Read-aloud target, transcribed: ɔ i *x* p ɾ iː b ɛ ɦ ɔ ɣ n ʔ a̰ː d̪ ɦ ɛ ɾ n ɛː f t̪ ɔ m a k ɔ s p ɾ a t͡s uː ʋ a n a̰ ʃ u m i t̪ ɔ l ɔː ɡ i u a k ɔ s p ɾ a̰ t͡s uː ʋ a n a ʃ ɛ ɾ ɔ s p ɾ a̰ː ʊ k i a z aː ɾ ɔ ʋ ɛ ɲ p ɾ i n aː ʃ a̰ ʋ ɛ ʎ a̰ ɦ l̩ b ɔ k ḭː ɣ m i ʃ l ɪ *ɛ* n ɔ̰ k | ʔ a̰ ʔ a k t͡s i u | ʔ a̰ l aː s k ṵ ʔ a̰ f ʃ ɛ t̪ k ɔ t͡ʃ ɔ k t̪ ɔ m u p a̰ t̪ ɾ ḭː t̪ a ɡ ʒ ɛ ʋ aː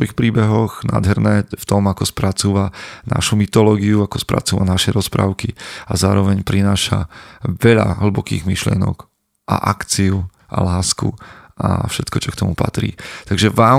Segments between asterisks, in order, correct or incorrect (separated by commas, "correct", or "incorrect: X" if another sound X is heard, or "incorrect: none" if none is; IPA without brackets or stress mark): correct, correct